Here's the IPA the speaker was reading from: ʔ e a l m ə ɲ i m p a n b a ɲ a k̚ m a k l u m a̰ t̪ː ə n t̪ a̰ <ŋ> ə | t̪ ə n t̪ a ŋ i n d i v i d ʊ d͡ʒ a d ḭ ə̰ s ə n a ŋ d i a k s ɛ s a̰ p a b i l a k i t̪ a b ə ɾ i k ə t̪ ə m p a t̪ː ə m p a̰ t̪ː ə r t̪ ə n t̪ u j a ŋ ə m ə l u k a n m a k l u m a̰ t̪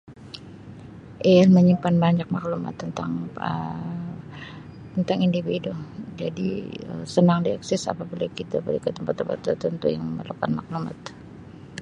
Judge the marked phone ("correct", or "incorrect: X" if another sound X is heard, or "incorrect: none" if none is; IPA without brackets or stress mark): correct